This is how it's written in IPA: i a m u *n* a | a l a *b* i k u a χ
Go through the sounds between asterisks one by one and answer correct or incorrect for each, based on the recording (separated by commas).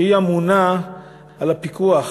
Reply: correct, incorrect